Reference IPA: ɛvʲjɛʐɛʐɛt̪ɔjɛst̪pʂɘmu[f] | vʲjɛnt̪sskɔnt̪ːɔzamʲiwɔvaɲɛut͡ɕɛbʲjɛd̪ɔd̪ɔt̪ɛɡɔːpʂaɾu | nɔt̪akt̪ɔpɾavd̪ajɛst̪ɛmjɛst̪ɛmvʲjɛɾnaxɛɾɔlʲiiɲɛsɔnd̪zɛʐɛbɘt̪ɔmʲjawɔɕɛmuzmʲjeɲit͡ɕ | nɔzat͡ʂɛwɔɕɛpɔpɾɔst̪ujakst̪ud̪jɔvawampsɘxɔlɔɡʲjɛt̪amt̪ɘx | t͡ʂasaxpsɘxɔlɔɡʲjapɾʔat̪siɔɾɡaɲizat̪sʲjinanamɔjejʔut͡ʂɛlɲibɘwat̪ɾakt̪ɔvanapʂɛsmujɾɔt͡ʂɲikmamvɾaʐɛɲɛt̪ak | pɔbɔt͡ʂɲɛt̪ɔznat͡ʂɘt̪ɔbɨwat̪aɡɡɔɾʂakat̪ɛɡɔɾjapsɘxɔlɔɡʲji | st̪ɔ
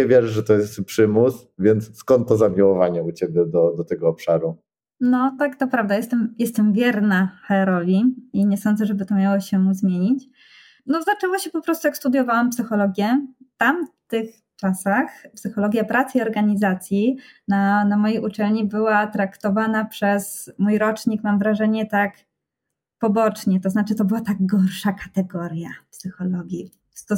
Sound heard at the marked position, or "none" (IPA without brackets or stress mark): s